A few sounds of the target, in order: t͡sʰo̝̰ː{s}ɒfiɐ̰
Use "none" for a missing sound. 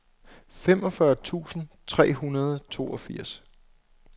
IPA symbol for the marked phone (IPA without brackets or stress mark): none